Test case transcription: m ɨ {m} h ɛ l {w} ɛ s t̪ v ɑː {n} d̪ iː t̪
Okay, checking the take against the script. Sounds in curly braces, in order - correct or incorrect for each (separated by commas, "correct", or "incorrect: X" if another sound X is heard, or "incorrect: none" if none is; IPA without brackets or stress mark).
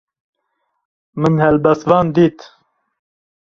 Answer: incorrect: n, incorrect: b, correct